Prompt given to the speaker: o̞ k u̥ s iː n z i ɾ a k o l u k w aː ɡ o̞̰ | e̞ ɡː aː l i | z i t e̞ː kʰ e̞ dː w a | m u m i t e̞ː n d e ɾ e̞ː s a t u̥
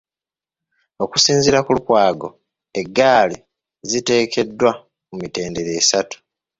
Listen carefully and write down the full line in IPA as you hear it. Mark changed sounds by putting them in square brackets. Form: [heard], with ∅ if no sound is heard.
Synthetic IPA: o̞ k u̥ s iː n z i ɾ a k [u] l u k w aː ɡ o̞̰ | e̞ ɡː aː l i | z i t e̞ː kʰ e̞ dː w a | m u m i t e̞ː n d e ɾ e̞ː s a t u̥